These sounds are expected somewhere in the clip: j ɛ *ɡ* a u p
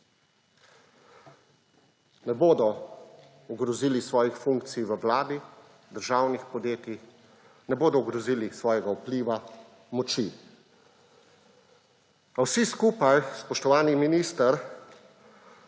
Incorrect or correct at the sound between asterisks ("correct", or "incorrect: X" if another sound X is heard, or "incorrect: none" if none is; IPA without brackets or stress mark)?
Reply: correct